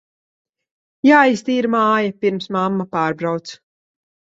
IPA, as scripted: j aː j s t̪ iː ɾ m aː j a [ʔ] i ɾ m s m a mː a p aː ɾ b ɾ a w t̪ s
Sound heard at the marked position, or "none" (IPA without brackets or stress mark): p